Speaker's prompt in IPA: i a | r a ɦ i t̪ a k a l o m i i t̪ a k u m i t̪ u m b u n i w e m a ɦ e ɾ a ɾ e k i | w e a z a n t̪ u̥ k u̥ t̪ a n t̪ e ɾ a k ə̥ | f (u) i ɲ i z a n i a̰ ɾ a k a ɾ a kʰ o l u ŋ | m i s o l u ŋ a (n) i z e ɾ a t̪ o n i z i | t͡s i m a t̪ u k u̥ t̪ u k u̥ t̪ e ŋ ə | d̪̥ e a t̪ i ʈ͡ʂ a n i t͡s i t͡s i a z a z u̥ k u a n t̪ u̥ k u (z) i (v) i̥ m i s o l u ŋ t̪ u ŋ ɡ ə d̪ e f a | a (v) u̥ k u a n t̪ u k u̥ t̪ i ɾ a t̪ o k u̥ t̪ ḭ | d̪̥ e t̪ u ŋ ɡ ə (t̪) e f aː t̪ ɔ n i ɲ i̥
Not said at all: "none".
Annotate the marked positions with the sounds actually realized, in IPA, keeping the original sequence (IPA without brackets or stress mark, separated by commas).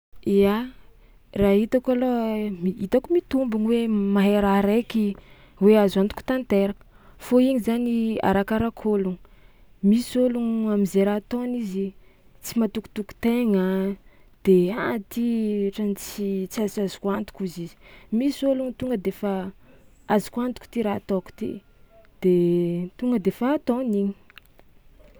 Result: o, m, z, z, z, d̪